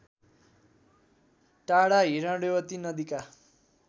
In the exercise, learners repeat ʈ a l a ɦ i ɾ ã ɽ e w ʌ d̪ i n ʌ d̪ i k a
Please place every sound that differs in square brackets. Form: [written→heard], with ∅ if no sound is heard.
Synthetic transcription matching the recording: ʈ a [l→ɽ] a ɦ i ɾ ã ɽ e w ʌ [d̪→t̪] i n ʌ d̪ i k a